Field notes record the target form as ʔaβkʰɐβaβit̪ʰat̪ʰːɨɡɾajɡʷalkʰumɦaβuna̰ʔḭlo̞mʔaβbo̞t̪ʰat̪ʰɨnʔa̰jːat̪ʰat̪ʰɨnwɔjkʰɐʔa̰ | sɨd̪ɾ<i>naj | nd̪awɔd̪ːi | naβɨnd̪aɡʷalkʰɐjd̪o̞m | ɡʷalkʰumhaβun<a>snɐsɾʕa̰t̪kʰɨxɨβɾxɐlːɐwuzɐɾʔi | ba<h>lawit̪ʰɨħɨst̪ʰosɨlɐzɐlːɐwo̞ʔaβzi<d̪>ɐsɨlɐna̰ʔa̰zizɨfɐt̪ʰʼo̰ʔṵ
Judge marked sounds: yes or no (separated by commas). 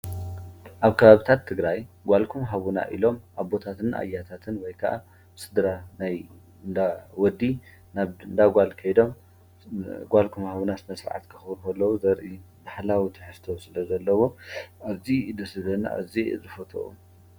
no, yes, no, yes